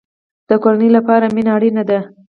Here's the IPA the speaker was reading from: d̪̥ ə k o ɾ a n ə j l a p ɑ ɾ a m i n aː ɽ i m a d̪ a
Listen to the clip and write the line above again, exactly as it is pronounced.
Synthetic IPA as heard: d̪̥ ə k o ɾ a n ə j l a p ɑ ɾ a m i n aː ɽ i n a d̪ a

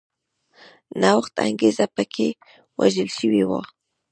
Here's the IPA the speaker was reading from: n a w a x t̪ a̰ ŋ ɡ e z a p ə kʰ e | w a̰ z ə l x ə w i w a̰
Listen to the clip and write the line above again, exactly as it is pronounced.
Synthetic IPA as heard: n a w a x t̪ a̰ ŋ ɡ e z a p ə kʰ e | w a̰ ʒ ə l ʃ ə w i w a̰

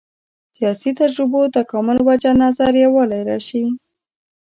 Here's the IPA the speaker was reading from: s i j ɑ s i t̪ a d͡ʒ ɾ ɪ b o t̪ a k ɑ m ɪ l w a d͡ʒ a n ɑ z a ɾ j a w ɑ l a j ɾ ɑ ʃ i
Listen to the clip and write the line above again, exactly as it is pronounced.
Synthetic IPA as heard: s i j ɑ s i t̪ a d͡ʒ ɾ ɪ b o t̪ a k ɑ m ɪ l w a d͡ʒ a n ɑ z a ɾ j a w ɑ l a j ɾ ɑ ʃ i

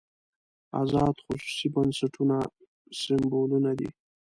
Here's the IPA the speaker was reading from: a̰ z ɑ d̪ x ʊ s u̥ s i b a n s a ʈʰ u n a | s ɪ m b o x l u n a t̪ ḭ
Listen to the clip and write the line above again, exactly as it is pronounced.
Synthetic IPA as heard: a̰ z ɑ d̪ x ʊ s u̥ s i b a n s a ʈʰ u n a | s ɪ m b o l u n a d̪ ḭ

